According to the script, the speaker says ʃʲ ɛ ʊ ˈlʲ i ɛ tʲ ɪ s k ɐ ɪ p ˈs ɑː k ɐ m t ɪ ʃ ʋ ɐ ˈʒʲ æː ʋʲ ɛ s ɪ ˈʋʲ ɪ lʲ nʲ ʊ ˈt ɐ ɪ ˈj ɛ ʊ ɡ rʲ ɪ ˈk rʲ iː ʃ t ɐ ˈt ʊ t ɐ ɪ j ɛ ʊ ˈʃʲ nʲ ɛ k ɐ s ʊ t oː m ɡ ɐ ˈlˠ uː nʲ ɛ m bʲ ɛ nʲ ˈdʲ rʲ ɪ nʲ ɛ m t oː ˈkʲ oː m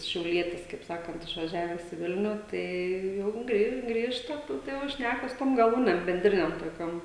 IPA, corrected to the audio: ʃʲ ɛ ʊ ˈlʲ i ɛ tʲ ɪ s k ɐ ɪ p ˈs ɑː k ɐ n t ɪ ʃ ʋ ɐ ˈʒʲ æː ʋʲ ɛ s ɪ ˈʋʲ ɪ lʲ nʲ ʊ ˈt ɐ ɪ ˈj ɛ ʊ ɡ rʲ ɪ ˈɡ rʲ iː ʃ t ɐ ˈt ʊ t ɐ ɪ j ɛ ʊ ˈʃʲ nʲ æ k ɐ s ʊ t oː m ɡ ɐ ˈlˠ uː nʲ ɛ m bʲ ɛ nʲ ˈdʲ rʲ ɪ nʲ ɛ m t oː ˈkʲ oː m